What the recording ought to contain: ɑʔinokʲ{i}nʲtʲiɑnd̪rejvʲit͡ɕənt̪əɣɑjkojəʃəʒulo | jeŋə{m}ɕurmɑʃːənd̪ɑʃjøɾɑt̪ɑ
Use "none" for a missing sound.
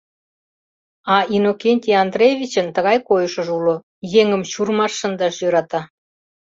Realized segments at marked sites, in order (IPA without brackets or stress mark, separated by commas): e, m